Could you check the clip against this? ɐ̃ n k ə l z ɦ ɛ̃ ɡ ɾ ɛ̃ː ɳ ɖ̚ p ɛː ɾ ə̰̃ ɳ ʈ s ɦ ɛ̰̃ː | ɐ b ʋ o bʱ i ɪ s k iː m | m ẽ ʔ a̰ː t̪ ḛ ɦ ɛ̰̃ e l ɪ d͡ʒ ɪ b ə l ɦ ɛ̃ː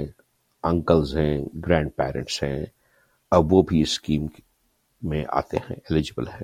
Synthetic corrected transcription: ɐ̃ ŋ k ə l z ɦ ɛ̃ ɡ ɾ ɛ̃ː ɳ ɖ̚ p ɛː ɾ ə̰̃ ɳ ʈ s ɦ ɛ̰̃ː | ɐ b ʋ o bʱ i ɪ s k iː m | m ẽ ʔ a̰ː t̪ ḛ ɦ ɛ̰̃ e l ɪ d͡ʒ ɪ b ə l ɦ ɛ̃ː